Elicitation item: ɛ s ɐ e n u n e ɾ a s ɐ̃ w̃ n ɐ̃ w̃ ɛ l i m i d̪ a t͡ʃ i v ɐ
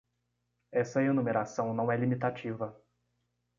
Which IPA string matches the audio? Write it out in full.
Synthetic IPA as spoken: ɛ s ɐ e n u m e ɾ a s ɐ̃ w̃ n ɐ̃ w̃ ɛ l i m i t̪ a t͡ʃ i v ɐ